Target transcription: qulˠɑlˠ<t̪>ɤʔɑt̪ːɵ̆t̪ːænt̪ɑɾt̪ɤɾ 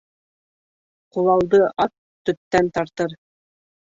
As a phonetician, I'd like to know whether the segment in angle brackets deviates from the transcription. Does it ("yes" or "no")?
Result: yes